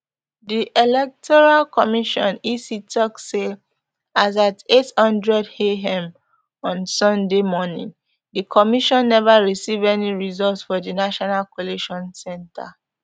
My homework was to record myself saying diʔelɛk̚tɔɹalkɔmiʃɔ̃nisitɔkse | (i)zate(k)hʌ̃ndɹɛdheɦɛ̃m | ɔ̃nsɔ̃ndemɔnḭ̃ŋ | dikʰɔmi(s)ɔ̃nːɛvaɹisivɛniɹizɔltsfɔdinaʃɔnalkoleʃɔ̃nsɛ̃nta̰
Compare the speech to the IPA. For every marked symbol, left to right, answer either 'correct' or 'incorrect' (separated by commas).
incorrect, incorrect, incorrect